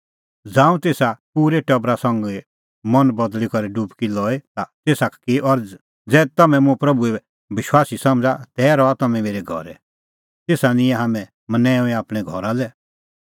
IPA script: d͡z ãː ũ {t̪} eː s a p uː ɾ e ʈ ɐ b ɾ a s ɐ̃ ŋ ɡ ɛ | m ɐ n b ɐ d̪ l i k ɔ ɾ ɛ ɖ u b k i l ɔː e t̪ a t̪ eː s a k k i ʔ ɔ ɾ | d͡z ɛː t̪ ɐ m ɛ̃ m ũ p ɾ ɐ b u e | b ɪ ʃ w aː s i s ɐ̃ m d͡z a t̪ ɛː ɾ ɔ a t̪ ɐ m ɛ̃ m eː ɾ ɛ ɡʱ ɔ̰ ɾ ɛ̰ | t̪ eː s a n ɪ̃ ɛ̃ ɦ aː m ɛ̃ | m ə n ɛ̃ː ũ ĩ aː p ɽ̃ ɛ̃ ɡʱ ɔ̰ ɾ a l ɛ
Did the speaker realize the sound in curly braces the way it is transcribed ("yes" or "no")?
yes